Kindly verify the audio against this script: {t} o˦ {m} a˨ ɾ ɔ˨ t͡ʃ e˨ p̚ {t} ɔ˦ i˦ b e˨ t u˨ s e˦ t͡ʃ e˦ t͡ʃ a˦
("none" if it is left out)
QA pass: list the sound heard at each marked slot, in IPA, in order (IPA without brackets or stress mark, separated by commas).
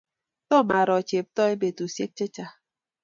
t, m, t